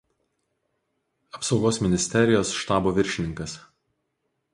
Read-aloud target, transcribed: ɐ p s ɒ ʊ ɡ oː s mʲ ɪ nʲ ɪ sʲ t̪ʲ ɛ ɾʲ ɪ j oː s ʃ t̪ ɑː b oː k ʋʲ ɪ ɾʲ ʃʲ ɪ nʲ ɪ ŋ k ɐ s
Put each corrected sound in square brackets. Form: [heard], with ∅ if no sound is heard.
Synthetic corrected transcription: ɐ p s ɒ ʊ ɡ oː s mʲ ɪ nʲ ɪ sʲ t̪ʲ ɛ ɾʲ ɪ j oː s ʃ t̪ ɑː b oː [∅] ʋʲ ɪ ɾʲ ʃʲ ɪ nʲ ɪ ŋ k ɐ s

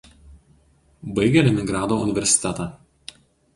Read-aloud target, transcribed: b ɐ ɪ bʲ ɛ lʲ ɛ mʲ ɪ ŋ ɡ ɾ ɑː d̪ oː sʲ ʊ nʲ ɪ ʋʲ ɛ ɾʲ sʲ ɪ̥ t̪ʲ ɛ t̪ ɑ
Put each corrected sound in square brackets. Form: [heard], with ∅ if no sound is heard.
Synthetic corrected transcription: b ɐ ɪ [ɡʲ] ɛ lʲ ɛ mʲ ɪ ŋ ɡ ɾ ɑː d̪ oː [∅] ʊ nʲ ɪ ʋʲ ɛ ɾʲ sʲ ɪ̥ t̪ʲ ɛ t̪ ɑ

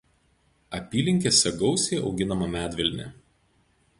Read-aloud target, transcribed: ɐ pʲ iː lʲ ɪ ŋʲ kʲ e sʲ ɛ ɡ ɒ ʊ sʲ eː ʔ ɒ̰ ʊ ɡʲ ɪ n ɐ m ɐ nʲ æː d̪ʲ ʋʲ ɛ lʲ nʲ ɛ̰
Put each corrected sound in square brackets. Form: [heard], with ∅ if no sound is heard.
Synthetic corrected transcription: ɐ pʲ iː lʲ ɪ ŋʲ kʲ e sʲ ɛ ɡ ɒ ʊ sʲ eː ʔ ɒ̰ ʊ ɡʲ ɪ n ɐ m ɐ [mʲ] æː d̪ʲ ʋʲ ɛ lʲ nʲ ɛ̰

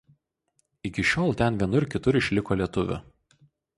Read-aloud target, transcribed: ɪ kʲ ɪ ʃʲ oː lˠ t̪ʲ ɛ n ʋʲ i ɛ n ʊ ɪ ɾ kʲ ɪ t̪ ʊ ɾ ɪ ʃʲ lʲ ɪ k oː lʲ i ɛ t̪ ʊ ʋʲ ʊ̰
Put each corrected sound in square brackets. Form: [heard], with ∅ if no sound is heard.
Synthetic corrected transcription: ɪ kʲ ɪ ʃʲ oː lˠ t̪ʲ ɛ n ʋʲ i ɛ n ʊ ɪ ɾ kʲ ɪ t̪ ʊ ɾ ɪ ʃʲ lʲ ɪ k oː lʲ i ɛ t̪ ʊ ʋʲ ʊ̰

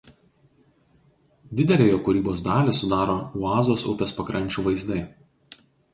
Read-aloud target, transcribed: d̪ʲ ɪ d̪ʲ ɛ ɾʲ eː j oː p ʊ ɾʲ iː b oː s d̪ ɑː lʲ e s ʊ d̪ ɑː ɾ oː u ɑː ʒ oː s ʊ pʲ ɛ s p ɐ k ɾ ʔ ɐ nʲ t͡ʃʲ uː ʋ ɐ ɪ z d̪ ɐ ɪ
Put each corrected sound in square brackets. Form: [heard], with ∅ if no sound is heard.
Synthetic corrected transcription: d̪ʲ ɪ d̪ʲ ɛ [lʲ] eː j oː [k] ʊ ɾʲ iː b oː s d̪ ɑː lʲ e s ʊ d̪ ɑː ɾ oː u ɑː [z] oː s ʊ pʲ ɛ s p ɐ k ɾ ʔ ɐ nʲ t͡ʃʲ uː ʋ ɐ ɪ z d̪ ɐ ɪ

